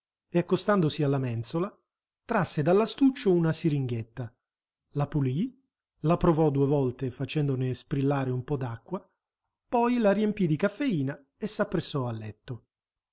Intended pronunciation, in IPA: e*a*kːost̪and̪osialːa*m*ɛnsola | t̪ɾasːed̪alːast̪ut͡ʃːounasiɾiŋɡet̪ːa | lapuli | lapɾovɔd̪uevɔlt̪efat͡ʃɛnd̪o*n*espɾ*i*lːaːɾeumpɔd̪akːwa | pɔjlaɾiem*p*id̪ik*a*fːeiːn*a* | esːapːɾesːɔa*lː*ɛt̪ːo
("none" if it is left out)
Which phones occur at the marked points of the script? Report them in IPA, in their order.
a, m, n, i, p, a, a, lː

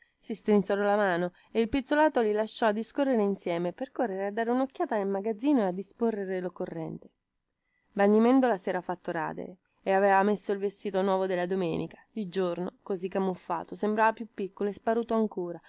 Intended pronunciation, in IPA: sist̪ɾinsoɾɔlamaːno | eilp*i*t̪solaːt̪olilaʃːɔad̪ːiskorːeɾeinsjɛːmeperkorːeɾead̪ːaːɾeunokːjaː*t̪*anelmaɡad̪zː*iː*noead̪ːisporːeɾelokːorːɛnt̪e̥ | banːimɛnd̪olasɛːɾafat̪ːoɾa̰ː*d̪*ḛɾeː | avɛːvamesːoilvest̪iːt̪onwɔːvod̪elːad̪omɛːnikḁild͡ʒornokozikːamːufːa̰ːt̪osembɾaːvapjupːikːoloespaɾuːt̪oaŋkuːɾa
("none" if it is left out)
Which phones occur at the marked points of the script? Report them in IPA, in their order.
i, t̪, iː, d̪

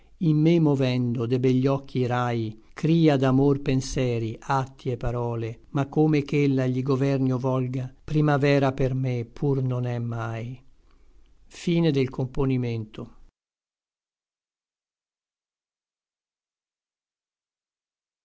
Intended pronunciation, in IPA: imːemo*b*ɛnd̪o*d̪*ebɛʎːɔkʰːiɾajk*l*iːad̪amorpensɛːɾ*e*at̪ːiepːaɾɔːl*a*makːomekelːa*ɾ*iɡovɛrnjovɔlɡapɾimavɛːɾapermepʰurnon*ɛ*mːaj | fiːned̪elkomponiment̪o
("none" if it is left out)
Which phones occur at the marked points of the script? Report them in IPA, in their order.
v, d̪, ɾ, i, e, ʎ, ɛ

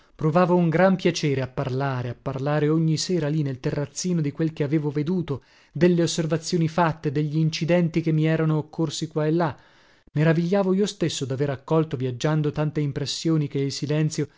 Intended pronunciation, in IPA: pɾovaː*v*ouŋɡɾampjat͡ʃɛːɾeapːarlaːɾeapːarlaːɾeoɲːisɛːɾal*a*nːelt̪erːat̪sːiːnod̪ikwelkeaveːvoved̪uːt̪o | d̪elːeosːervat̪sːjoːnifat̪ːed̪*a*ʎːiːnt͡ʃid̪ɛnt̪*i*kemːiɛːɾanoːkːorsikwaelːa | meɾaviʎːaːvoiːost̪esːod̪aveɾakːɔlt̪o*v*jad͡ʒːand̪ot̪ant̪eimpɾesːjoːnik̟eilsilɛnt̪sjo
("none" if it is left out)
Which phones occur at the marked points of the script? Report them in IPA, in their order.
v, i, e, i, v

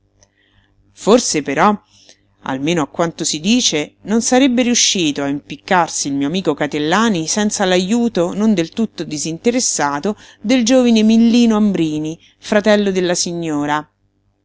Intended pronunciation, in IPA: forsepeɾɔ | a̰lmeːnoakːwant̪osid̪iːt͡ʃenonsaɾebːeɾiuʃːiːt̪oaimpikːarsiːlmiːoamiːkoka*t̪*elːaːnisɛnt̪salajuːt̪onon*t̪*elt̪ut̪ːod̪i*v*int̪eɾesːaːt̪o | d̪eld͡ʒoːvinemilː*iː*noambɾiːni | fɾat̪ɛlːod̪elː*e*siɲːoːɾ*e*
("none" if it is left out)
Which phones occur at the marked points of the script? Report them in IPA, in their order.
t̪, d̪, z, iː, a, a

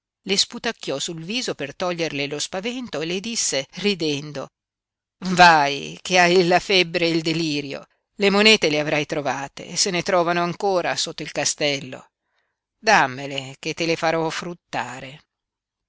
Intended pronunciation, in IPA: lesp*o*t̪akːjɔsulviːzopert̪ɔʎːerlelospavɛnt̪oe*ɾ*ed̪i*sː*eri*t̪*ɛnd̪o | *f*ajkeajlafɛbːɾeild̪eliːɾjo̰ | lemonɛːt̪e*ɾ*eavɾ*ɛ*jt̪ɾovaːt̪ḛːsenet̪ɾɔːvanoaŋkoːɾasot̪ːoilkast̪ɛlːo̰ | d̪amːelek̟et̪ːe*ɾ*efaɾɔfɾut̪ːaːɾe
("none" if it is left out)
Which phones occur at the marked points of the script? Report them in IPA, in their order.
u, l, sː, d̪, v, l, a, l

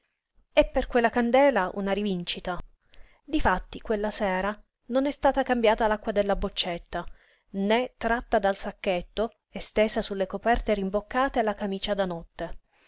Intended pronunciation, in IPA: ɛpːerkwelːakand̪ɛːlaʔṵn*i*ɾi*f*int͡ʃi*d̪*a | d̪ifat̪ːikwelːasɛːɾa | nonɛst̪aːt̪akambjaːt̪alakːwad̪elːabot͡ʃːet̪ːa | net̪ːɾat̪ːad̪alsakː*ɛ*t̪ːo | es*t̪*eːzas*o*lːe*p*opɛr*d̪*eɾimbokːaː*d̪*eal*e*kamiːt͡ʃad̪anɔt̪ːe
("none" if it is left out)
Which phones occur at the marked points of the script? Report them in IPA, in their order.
a, v, t̪, e, t̪, u, k, t̪, t̪, a

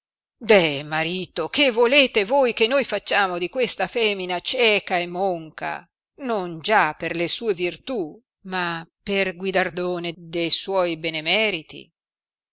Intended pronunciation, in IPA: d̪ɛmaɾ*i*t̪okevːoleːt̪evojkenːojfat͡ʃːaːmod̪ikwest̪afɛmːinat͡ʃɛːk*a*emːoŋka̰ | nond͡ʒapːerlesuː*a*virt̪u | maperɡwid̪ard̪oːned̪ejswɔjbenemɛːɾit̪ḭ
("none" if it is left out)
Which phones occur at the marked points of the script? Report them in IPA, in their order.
iː, a, e

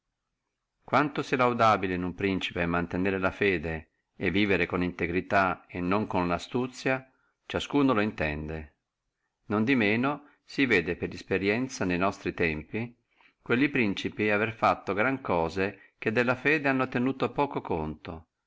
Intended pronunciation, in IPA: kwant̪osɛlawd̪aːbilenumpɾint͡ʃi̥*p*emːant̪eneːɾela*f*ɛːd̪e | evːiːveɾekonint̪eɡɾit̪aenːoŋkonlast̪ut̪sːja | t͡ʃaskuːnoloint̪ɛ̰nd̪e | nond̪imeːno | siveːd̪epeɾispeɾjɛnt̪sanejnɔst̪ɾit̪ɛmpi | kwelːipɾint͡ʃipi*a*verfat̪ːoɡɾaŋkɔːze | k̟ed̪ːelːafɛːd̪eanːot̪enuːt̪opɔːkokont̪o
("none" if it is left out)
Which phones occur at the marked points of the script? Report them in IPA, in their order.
p, f, a

